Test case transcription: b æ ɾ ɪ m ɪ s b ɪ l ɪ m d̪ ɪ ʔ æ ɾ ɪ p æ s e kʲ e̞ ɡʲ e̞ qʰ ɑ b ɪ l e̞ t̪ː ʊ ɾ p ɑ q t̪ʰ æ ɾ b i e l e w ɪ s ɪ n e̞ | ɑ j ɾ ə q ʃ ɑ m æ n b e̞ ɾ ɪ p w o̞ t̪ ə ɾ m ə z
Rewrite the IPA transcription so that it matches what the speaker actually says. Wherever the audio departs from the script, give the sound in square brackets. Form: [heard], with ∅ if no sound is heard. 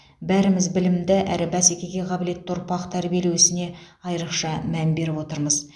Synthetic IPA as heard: b æ ɾ ɪ m ɪ [z] b ɪ l ɪ m d̪ ɪ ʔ æ ɾ ɪ [b] æ s e kʲ e̞ ɡʲ e̞ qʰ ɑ b ɪ l e̞ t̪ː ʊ ɾ p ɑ q t̪ʰ æ ɾ b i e l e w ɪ s ɪ n e̞ | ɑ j ɾ ə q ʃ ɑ m æ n b e̞ ɾ ɪ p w o̞ t̪ ə ɾ m ə z